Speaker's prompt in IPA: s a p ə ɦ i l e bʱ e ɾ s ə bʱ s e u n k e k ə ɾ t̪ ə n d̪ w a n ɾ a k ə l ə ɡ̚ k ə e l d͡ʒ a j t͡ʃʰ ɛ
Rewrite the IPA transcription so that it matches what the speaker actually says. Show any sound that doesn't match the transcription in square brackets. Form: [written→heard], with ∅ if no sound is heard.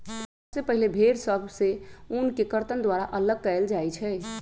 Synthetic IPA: s [a→e] p ə ɦ i l e bʱ e ɾ s ə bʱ s e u n k e k ə ɾ t̪ ə n d̪ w a [n→∅] ɾ a [k→ʔ] ə l ə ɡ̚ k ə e l d͡ʒ a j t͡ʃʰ ɛ